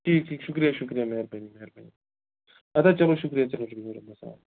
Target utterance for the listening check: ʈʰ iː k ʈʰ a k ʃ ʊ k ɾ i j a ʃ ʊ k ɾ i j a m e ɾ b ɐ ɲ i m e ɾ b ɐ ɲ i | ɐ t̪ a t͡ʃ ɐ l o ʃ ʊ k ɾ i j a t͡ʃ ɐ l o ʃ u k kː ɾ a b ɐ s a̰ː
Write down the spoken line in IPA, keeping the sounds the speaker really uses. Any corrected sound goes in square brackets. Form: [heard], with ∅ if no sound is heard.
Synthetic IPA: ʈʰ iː k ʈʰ [i] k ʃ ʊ k ɾ i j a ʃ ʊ k ɾ i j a m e ɾ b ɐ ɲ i m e ɾ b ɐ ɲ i | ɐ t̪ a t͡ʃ ɐ l o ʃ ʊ k ɾ i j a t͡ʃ ɐ l o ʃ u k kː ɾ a b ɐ s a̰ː